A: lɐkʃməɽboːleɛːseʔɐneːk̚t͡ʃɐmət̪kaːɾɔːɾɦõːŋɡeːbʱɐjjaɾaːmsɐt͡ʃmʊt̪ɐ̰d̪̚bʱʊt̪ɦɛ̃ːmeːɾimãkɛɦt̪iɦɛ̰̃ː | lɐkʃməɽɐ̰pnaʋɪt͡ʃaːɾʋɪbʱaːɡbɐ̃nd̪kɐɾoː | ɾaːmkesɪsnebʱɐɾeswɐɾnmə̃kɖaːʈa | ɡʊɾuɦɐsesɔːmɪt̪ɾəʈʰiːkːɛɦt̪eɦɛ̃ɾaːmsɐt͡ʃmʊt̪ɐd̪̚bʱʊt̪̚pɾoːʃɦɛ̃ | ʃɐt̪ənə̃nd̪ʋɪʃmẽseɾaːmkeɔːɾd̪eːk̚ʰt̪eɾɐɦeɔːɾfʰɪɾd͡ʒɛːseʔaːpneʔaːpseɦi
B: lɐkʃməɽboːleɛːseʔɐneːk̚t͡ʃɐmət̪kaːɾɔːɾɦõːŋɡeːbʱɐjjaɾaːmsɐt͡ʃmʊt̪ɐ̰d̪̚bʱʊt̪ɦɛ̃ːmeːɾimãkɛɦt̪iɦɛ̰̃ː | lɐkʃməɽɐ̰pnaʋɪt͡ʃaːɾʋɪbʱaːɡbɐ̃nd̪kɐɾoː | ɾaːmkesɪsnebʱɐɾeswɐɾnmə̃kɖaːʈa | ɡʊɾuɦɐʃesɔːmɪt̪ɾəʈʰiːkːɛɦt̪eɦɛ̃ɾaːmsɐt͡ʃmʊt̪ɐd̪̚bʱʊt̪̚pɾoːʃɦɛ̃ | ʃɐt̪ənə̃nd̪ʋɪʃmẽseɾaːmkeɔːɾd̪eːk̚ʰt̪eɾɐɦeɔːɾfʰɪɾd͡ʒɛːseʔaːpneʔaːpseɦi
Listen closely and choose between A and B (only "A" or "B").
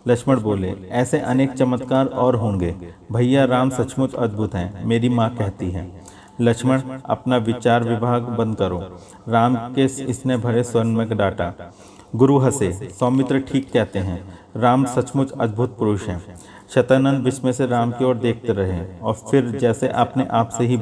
A